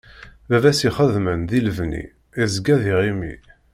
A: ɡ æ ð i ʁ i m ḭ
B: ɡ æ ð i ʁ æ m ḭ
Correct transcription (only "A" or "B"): A